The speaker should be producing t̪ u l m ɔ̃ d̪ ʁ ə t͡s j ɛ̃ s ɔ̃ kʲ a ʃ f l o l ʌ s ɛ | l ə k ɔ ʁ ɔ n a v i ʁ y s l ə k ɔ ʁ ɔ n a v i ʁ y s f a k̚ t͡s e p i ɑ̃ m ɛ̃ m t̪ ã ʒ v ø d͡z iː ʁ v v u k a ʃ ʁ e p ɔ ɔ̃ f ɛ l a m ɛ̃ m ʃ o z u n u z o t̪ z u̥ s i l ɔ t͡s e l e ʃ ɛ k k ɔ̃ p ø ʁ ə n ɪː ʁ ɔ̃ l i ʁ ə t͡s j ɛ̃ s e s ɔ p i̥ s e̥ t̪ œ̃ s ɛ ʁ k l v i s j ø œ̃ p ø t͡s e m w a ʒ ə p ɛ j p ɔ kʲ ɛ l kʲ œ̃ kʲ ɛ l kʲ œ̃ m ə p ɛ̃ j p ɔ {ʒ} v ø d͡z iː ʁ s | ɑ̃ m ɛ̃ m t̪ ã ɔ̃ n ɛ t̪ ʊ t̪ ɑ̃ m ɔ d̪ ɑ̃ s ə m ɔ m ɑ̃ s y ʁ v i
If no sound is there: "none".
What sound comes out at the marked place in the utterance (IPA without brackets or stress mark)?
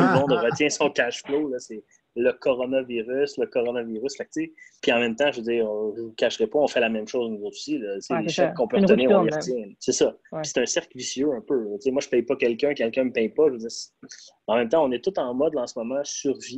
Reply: ʒ